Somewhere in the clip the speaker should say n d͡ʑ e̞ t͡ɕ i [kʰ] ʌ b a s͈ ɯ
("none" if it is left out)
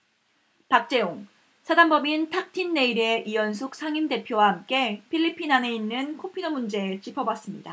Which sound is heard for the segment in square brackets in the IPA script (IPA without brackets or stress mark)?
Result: pʰ